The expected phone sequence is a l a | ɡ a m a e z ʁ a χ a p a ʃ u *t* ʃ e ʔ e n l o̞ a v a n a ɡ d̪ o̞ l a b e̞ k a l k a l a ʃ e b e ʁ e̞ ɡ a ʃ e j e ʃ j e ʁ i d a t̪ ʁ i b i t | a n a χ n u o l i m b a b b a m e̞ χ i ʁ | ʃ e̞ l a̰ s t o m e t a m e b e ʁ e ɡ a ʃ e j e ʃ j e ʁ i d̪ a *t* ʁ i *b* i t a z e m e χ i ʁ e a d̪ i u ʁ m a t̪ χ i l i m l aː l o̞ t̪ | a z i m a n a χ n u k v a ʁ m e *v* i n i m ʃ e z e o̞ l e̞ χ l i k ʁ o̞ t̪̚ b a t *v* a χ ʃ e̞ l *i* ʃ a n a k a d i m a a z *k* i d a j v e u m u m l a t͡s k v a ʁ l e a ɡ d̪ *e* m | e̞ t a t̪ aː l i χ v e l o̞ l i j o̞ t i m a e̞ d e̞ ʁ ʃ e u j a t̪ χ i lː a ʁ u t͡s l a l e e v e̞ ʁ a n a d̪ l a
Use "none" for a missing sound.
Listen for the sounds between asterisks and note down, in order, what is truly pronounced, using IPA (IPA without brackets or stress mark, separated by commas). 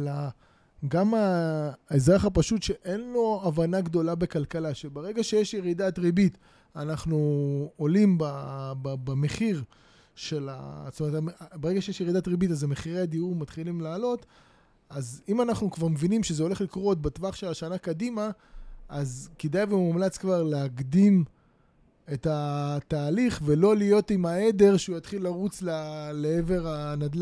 t, t, b, v, v, a, k, i